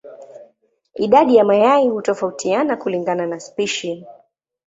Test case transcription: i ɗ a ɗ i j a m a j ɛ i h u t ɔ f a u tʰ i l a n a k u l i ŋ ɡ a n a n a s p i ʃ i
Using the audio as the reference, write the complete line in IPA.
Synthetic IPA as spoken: i ɗ a ɗ i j a m a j a i h u t ɔ f a u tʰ i a n a k u l i ŋ ɡ a n a n a s p i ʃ i